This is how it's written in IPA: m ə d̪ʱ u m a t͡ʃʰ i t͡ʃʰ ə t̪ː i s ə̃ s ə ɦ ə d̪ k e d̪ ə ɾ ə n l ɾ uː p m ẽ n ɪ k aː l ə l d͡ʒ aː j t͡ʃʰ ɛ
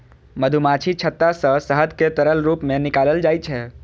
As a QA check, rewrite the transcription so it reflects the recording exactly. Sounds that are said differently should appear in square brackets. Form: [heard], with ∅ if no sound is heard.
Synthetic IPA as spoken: m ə d̪ʱ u m a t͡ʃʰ i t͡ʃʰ ə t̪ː [a] s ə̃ s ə ɦ ə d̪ k e [t̪] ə ɾ ə [∅] l ɾ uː p m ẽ n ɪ k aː l ə l d͡ʒ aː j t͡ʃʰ ɛ